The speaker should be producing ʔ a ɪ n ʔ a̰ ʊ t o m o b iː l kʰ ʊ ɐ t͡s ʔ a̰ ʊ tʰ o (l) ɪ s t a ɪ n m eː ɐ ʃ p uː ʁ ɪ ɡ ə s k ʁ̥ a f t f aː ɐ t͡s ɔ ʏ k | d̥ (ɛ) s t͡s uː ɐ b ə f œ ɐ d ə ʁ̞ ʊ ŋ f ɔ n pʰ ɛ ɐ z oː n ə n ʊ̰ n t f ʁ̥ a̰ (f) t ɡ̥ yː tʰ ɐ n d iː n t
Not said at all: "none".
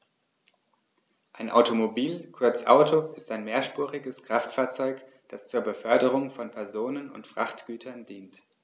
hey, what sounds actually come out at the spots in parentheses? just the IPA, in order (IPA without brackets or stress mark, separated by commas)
none, a, χ